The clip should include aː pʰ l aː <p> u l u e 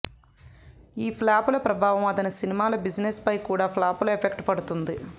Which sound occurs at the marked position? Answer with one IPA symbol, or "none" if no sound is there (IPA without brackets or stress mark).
p